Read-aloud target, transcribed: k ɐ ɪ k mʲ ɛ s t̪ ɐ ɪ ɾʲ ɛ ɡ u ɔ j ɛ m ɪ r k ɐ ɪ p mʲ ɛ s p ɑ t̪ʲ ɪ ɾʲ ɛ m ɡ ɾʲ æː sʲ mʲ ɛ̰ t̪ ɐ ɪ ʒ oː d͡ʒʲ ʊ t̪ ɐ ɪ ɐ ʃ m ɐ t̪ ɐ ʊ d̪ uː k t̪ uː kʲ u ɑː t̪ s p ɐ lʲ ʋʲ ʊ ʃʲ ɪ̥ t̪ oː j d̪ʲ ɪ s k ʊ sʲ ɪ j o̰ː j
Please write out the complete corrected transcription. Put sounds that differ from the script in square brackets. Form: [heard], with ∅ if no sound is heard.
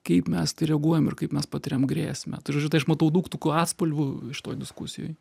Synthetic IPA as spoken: k ɐ ɪ [p] mʲ ɛ s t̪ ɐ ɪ ɾʲ ɛ ɡ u ɔ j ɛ m ɪ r k ɐ ɪ p mʲ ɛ s p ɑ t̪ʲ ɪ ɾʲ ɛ m ɡ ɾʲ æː sʲ mʲ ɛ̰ t̪ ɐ ɪ ʒ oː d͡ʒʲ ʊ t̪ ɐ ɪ ɐ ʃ m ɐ t̪ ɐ ʊ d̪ uː k t̪ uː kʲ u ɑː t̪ s p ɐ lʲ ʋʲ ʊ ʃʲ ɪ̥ t̪ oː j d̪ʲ ɪ s k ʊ sʲ ɪ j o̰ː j